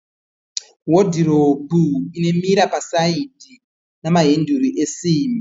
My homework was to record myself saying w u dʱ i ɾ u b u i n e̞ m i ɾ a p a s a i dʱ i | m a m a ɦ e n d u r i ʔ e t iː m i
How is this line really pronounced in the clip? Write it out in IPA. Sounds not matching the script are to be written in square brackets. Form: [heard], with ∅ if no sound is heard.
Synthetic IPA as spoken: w [o] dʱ i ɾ [o] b u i n e̞ m i ɾ a p a s a i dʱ i | [n] a m a ɦ e n d u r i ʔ e [s] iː m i